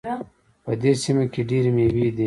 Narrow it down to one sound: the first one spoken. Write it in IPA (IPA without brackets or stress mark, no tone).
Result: p